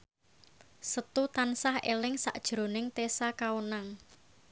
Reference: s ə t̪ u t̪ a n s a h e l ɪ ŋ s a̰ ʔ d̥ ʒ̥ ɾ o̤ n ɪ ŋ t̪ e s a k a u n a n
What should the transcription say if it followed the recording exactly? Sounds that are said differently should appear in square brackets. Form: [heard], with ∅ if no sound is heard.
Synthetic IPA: s ə t̪ u t̪ a n s a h e l ɪ ŋ s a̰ ʔ d̥ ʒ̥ ɾ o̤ n ɪ ŋ t̪ e s a k a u n a [ŋ]